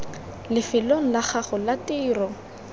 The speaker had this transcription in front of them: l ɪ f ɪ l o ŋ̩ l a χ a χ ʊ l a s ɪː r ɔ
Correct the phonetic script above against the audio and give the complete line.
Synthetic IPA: l ɪ f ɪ l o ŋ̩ l a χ a χ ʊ l a t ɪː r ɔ